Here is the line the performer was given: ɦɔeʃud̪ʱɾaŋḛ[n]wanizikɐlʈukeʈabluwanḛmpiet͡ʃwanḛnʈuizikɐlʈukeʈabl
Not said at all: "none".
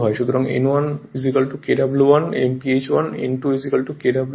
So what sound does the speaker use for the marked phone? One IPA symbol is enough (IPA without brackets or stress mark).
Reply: n